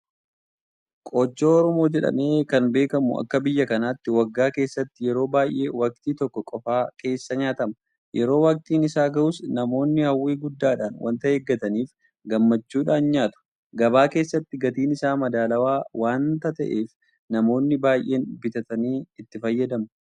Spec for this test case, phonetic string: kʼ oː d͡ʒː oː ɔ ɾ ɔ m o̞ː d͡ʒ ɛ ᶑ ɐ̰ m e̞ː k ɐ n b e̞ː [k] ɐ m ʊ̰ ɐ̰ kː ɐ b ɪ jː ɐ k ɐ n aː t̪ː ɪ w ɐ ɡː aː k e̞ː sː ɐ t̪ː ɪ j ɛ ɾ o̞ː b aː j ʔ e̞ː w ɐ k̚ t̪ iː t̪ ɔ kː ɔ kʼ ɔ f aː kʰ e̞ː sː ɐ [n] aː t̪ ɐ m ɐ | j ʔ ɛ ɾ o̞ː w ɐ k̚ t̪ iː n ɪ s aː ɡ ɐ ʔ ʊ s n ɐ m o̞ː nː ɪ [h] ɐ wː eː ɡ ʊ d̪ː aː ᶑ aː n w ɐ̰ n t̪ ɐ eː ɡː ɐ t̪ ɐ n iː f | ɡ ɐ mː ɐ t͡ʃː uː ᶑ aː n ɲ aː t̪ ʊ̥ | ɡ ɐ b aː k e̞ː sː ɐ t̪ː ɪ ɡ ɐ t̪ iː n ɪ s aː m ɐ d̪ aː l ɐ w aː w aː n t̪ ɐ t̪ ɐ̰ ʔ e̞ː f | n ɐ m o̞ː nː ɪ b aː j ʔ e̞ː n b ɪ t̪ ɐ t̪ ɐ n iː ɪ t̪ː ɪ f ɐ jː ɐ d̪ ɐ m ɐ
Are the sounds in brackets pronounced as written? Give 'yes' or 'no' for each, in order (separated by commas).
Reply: yes, no, yes